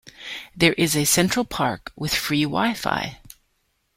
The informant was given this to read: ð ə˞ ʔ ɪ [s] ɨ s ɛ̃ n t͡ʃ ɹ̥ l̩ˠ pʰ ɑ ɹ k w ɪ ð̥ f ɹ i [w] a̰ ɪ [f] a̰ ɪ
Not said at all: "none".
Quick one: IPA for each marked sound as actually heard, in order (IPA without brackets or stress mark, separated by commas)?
z, w, f